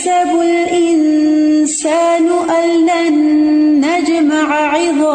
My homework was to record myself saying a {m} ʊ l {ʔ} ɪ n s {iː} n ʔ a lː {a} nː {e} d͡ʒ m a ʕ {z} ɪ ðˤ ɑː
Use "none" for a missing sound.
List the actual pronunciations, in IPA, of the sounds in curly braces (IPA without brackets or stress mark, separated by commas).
b, ʔ, aː, a, a, ʕ